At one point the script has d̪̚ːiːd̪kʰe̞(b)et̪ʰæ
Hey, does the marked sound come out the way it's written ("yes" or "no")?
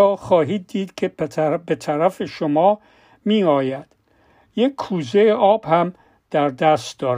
yes